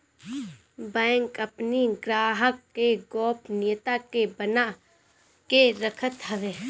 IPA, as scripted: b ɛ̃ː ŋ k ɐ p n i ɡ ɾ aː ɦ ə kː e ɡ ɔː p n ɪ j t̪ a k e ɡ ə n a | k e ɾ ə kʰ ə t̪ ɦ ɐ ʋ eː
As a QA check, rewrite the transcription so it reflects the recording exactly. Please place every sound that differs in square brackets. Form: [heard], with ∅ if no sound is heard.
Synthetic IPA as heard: b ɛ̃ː ŋ k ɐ p n i ɡ ɾ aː ɦ ə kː e ɡ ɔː p n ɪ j t̪ a k e [b] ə n a | k e ɾ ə kʰ ə t̪ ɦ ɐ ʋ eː